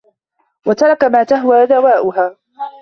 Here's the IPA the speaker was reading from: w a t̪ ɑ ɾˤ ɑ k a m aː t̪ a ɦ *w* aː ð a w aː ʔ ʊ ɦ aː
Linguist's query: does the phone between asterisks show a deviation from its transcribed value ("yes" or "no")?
no